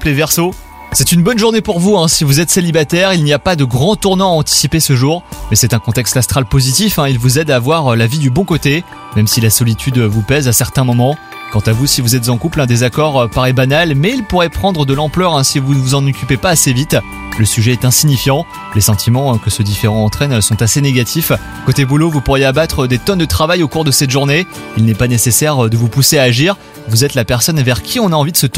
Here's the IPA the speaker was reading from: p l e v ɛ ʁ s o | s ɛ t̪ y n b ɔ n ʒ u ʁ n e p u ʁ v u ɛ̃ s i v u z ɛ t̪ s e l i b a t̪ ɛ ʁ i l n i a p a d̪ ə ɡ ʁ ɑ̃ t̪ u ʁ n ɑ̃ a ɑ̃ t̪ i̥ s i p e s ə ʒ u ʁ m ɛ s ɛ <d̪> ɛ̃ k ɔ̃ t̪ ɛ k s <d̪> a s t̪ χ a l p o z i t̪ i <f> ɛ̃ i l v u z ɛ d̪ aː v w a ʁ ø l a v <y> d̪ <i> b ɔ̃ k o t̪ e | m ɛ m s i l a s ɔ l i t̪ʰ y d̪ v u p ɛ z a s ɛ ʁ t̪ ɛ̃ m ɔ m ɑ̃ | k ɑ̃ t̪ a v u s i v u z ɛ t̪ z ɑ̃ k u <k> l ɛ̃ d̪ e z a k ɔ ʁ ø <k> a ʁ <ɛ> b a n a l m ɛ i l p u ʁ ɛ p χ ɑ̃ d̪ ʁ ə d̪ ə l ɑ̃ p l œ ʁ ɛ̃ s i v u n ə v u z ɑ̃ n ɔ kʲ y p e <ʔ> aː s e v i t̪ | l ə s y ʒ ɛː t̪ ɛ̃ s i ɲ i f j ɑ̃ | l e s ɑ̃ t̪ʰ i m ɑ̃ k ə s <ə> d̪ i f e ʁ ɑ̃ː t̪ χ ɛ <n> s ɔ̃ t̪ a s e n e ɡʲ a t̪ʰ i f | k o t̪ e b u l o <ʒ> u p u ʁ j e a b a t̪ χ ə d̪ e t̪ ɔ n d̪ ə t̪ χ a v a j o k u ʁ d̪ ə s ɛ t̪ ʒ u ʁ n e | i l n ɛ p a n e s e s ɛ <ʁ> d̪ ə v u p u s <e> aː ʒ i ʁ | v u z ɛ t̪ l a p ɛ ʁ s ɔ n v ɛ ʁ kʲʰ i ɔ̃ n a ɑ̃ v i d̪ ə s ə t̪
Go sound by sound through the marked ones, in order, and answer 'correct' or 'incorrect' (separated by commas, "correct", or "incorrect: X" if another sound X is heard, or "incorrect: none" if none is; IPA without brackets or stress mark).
incorrect: t̪, incorrect: t̪, correct, incorrect: i, incorrect: y, incorrect: p, incorrect: p, correct, incorrect: p, correct, correct, incorrect: v, correct, correct